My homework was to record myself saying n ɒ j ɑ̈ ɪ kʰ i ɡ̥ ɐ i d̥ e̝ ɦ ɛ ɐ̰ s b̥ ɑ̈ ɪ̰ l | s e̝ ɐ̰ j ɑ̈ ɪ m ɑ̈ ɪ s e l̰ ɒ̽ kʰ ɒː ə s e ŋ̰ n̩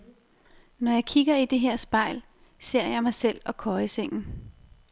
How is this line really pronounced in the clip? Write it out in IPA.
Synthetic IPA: n ɒ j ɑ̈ ɪ kʰ i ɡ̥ ɐ i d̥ e̝ ɦ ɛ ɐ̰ s b̥ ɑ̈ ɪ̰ l | s e̝ ɐ̰ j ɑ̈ ɪ m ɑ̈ ɪ s e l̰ ɒ̽ kʰ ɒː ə s e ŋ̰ n̩